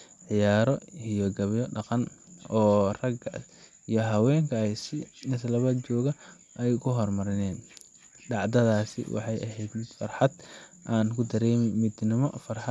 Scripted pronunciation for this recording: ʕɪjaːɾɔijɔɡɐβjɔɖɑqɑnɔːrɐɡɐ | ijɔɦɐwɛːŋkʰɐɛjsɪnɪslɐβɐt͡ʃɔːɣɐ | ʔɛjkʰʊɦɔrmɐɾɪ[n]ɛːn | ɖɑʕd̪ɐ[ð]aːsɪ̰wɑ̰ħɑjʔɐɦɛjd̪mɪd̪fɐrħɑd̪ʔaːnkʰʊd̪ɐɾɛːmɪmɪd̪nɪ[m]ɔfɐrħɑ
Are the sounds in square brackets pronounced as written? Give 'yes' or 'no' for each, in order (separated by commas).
yes, yes, yes